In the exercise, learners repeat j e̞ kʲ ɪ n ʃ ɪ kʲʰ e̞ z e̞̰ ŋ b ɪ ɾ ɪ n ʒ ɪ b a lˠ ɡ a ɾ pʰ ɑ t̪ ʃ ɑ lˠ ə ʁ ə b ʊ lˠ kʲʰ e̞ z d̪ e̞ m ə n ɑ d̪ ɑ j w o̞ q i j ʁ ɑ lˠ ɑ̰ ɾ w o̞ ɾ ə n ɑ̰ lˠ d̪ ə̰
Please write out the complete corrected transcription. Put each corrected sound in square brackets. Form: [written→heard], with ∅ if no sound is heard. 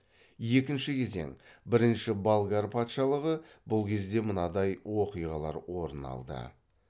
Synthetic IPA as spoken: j e̞ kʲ ɪ n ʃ ɪ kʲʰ e̞ z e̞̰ ŋ b ɪ ɾ ɪ n [ʒ→ʃ] ɪ b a lˠ ɡ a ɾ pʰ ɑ t̪ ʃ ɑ lˠ ə ʁ ə b ʊ lˠ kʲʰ e̞ z d̪ e̞ m ə n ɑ d̪ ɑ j w o̞ q i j ʁ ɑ lˠ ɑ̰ ɾ w o̞ ɾ ə n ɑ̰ lˠ d̪ ə̰